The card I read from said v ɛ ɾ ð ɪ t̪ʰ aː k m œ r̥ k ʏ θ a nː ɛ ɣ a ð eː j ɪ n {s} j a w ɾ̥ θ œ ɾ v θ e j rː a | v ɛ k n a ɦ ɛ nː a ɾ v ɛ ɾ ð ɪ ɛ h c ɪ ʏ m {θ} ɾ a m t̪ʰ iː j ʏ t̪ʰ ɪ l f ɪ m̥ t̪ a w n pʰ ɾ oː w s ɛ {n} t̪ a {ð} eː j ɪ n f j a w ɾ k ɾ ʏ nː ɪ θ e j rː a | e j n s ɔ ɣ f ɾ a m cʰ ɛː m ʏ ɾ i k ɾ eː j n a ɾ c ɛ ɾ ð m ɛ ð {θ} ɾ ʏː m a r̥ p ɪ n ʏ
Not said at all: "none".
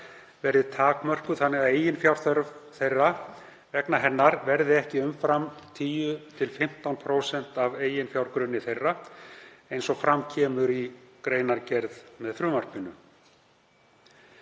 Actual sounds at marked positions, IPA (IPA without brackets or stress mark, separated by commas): f, f, n, v, θ